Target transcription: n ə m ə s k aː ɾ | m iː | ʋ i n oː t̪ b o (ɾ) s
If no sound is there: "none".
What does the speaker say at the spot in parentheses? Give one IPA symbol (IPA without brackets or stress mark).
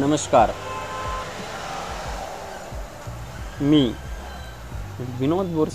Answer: ɾ